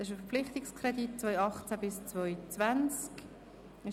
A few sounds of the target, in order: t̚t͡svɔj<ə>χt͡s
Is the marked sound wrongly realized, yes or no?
yes